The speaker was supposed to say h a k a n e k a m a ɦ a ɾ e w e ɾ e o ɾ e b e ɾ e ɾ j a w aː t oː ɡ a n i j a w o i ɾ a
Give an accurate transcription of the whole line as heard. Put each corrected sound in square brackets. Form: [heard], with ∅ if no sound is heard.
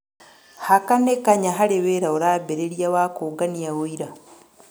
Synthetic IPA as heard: h a k a n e k a [ɲ] a ɦ a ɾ e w e ɾ [a] o ɾ [a] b e ɾ e ɾ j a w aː [k] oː ɡ a n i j a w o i ɾ a

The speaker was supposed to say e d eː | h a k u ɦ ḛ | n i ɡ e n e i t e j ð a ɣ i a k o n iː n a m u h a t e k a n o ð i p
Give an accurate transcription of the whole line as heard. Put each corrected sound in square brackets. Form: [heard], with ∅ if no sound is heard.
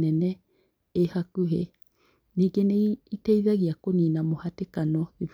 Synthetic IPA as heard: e [n] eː | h a k u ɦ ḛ | n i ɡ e n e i t e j ð a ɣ i a k o n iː n a m [o] h a t e k a n o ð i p

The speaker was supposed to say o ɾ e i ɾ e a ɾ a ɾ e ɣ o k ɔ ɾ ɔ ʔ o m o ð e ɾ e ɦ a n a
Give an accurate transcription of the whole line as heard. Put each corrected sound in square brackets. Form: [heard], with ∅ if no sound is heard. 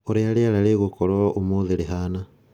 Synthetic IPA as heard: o ɾ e [a] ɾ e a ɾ a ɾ e ɣ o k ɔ ɾ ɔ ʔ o m o ð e ɾ e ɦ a n a

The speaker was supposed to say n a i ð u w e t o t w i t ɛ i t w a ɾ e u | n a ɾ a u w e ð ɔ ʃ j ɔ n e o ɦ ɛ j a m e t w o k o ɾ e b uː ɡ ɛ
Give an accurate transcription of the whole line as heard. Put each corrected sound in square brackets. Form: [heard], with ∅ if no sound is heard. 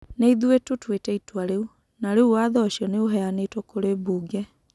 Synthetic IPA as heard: n [e] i ð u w e t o t w [e] t ɛ i t w a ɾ e u | n a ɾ [e] u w [a] ð ɔ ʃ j ɔ n e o ɦ ɛ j a [n] e t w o k o ɾ e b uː ɡ ɛ

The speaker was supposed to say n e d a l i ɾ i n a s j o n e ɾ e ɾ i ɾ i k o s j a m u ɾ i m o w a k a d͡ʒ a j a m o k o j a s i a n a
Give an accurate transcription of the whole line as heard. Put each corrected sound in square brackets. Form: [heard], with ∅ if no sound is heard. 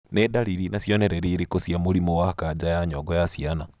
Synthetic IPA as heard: n e d a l i ɾ i n a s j o n e ɾ e ɾ i ɾ i k o s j a m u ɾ i m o w a k a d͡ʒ a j a [ɲ] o [ɡ] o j a s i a n a

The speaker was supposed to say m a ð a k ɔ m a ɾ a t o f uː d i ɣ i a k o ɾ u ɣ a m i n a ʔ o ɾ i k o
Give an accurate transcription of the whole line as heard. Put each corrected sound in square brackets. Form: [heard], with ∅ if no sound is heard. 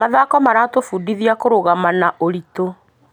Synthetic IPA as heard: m a ð a k ɔ m a ɾ a t o f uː d i [ð] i a k o ɾ [o] ɣ a m [a] n a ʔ o ɾ i [t] o

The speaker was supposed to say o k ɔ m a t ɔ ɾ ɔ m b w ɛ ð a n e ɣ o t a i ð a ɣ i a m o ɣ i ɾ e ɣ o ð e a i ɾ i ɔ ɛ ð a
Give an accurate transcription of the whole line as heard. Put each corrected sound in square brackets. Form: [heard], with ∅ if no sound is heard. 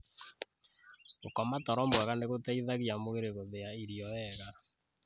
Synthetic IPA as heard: o k ɔ m a t ɔ ɾ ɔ m b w ɛ [ɣ] a n e ɣ o t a i ð a ɣ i a m o ɣ [e] ɾ e ɣ o ð e a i ɾ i ɔ ɛ [ɣ] a

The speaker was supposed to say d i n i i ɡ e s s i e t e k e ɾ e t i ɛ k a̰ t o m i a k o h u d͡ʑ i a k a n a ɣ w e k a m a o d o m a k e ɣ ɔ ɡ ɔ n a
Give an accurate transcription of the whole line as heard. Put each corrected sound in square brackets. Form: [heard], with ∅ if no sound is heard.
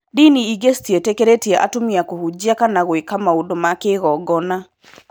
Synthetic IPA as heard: d i n i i ɡ e s [t] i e t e k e ɾ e t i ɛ [ʔ] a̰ t o m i a k o h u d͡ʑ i a k a n a ɣ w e k a m a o d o m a k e ɣ ɔ ɡ ɔ n a

